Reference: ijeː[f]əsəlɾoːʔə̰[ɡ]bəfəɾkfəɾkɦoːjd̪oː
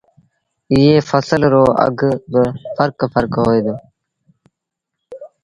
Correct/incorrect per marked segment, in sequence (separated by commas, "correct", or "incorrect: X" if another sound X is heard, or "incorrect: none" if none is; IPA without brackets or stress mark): correct, correct